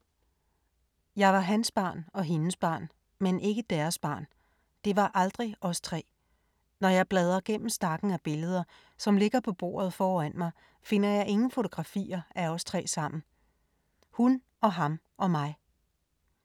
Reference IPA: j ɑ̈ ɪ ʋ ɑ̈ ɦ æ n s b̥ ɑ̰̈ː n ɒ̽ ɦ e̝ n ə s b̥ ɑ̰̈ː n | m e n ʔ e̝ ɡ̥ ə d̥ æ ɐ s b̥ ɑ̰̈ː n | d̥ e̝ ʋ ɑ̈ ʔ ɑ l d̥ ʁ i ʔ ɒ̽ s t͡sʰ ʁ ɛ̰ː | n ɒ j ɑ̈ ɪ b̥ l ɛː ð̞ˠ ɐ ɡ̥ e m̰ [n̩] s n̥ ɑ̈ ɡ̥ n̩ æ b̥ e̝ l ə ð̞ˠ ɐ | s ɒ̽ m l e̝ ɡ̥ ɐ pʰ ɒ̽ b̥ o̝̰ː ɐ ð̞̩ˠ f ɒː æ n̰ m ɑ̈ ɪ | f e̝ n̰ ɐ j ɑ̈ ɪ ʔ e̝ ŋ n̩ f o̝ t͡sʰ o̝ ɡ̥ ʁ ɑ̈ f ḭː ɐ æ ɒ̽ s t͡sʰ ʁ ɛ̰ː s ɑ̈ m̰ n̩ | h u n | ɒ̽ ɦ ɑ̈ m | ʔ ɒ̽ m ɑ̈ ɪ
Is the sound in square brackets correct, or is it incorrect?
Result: incorrect